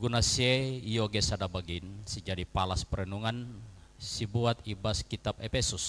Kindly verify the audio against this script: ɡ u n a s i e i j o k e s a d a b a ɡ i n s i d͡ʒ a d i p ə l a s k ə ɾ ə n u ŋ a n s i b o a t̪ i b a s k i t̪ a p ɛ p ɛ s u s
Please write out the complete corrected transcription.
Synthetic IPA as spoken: ɡ u n a s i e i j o ɡ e s a d a b a ɡ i n s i d͡ʒ a d i p a l a s p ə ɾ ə n u ŋ a n s i b u a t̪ i b a s k i t̪ a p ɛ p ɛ s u s